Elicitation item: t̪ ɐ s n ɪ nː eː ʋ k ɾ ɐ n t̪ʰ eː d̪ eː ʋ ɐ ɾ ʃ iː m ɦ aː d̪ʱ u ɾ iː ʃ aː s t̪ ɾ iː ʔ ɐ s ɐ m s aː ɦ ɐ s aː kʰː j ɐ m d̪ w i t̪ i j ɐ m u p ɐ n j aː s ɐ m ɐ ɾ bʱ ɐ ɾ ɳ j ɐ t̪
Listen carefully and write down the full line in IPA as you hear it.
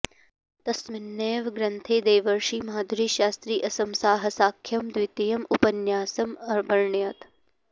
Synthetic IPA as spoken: t̪ ɐ s m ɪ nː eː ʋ ɡ ɾ ɐ n t̪ʰ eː d̪ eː ʋ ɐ ɾ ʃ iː m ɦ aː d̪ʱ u ɾ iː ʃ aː s t̪ ɾ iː ʔ ɐ s ɐ m s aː ɦ ɐ s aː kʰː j ɐ m d̪ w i t̪ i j ɐ m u p ɐ n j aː s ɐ m ɐ ɾ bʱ ɐ ɾ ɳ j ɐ t̪